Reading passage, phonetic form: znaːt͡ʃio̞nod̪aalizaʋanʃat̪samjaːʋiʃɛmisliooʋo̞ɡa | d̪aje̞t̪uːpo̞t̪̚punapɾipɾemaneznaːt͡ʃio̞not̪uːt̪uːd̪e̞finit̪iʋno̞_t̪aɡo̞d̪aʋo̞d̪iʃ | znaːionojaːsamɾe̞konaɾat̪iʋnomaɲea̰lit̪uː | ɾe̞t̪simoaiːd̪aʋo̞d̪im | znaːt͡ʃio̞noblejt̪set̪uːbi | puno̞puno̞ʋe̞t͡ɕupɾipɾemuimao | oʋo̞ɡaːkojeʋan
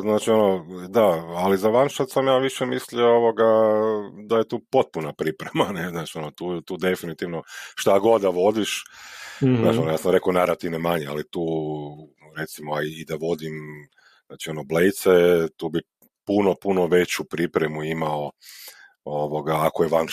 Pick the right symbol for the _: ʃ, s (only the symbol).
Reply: ʃ